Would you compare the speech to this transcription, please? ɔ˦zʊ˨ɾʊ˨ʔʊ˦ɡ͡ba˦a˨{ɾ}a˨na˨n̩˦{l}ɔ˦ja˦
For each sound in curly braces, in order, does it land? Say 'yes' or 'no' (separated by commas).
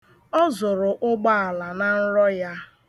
no, no